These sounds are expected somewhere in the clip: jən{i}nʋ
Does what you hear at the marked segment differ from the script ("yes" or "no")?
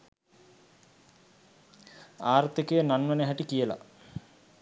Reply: yes